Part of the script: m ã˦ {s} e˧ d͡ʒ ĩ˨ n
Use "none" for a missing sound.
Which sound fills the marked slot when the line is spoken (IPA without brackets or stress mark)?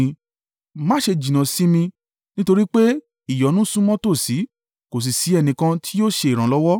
ʃ